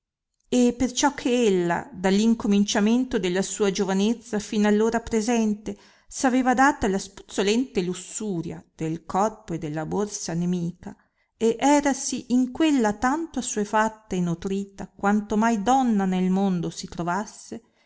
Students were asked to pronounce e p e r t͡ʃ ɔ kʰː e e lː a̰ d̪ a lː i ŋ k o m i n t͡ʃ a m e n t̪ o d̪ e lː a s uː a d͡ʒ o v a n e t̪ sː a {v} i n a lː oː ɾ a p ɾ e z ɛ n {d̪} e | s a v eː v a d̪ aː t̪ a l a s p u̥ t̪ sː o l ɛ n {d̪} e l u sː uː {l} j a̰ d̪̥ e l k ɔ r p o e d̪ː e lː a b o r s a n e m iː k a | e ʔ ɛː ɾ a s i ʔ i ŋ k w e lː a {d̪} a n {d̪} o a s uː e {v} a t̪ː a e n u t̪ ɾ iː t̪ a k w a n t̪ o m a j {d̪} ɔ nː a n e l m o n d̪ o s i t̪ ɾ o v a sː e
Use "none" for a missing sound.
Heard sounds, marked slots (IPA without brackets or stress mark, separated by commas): f, t̪, t̪, ɾ, t̪, t̪, f, d̪